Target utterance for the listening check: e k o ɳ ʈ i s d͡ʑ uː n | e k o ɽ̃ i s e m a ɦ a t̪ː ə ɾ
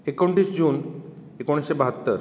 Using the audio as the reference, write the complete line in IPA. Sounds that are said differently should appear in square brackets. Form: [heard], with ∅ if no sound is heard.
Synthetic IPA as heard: e k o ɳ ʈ i s d͡ʑ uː n | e k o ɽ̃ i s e [b] a ɦ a t̪ː ə ɾ

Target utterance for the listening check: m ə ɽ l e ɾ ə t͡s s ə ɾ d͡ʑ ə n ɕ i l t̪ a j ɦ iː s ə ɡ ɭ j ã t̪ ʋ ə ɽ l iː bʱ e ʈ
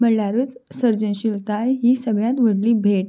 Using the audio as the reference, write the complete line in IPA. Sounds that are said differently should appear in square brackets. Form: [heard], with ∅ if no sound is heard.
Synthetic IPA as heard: m ə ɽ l [a] ɾ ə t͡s s ə ɾ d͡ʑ ə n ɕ i l t̪ a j ɦ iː s ə ɡ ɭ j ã t̪ ʋ ə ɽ l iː bʱ e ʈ

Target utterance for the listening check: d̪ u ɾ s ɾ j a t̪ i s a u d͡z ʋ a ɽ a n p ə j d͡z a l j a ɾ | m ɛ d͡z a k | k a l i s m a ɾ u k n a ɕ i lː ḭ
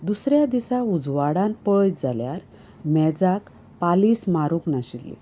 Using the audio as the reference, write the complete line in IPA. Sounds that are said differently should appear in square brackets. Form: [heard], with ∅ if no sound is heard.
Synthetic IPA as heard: d̪ u [∅] s ɾ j a [d̪] i s a u d͡z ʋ a ɽ a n p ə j d͡z a l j a ɾ | m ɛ d͡z a k | [p] a l i s m a ɾ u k n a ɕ i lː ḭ

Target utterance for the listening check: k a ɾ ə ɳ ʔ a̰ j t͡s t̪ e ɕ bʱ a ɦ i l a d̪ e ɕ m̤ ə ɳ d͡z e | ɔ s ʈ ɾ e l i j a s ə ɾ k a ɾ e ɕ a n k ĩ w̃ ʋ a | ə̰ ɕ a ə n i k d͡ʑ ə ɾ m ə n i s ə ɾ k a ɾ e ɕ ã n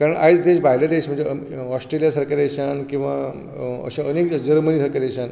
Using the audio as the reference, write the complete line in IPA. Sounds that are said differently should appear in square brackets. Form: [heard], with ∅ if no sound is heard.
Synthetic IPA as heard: k a ɾ ə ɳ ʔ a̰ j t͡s [d̪] e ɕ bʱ a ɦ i l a d̪ e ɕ m̤ ə ɳ d͡z e | ɔ s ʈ ɾ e l i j a s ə ɾ k a ɾ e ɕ a n k ĩ w̃ ʋ a | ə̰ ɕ a ə n [e] k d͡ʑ ə ɾ m ə n i s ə ɾ k a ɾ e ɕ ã n

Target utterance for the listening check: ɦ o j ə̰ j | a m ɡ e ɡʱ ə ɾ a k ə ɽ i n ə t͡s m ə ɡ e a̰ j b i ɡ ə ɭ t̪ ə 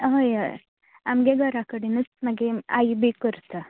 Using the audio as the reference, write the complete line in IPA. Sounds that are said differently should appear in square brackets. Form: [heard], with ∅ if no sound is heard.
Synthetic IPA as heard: ɦ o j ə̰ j | a m ɡ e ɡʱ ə ɾ a k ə ɽ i n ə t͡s m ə ɡ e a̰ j b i [k] ə [ɾ] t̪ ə

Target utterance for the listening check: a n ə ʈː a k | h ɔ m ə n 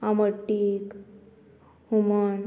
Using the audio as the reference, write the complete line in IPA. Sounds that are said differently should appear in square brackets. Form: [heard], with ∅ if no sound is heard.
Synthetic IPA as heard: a [m] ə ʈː [i] k | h [u] m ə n

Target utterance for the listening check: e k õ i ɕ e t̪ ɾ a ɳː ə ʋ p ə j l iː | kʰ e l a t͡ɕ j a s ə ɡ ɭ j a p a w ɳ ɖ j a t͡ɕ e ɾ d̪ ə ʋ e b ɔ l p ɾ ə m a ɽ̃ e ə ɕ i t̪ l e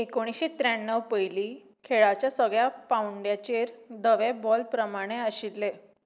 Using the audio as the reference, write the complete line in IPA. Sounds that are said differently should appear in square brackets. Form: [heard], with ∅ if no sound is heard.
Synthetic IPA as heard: e k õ i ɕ e t̪ ɾ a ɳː ə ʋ p ə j l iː | kʰ e [ɭ] a t͡ɕ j a s ə ɡ ɭ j a p a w ɳ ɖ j a t͡ɕ e ɾ d̪ ə ʋ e b ɔ l p ɾ ə m a ɽ̃ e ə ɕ i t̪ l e

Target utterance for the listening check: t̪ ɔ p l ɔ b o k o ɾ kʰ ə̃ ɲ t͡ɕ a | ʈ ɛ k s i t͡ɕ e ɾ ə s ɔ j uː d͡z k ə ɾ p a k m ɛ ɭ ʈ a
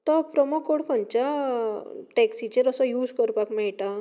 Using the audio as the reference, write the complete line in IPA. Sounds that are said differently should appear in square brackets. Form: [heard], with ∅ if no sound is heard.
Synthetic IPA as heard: t̪ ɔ p [ɾ] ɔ [m] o k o [ɽ] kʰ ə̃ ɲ t͡ɕ a | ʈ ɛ k s i t͡ɕ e ɾ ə s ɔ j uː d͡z k ə ɾ p a k m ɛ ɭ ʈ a

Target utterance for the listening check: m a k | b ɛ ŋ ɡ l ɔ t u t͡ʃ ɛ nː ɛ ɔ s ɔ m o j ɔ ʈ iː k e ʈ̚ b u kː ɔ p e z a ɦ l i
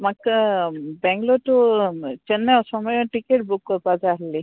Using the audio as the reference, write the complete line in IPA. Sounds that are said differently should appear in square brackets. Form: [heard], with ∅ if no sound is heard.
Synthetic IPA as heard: m a k | b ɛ ŋ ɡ l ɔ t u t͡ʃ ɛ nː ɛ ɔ s ɔ m [ɔ] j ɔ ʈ [i] k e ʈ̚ b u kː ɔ p [a] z a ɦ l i

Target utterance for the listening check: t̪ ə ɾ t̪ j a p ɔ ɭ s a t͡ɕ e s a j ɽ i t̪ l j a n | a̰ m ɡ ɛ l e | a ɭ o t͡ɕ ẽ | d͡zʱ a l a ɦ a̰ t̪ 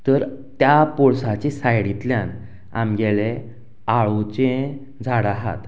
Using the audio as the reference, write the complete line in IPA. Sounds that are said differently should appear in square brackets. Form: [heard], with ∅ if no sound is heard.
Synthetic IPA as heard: t̪ ə ɾ t̪ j a p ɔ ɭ s a t͡ɕ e s a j ɽ i t̪ l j a n | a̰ m ɡ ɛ l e | a ɭ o t͡ɕ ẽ | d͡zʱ a [ɽ] a ɦ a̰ t̪

